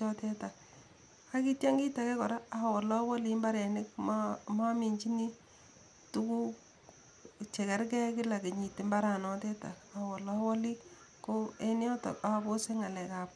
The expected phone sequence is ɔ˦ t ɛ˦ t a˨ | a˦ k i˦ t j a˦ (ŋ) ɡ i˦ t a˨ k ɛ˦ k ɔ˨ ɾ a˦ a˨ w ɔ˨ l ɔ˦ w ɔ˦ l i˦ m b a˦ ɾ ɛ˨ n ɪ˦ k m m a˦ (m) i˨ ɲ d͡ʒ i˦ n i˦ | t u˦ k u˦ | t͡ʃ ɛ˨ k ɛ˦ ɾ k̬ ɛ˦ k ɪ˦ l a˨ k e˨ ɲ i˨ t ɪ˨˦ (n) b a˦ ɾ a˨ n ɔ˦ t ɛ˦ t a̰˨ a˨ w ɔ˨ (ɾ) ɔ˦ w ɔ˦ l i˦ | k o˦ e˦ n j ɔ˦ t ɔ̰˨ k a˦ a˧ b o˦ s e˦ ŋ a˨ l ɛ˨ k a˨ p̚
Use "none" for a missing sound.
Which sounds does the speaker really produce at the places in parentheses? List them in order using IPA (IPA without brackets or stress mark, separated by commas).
ŋ, m, m, l